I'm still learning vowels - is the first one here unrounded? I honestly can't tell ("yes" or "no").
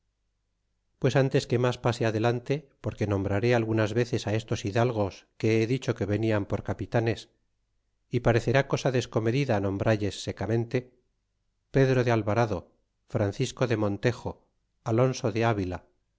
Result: yes